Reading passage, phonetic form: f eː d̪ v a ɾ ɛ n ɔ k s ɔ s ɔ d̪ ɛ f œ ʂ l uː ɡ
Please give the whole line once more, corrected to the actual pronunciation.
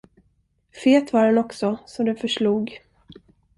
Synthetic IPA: f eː t̪ v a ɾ ɛ n ɔ k s ɔ s ɔ d̪ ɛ f œ ʂ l uː ɡ

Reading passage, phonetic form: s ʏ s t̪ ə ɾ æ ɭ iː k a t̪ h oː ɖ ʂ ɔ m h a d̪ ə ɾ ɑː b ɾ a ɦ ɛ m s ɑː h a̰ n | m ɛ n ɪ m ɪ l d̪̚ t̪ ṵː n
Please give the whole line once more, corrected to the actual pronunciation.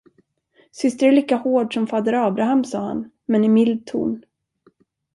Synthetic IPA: s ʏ s t̪ ə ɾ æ ɭ iː k a h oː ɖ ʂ ɔ m f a d̪ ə ɾ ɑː b ɾ a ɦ a m s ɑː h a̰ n | m ɛ n ɪ m ɪ l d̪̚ t̪ʰ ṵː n

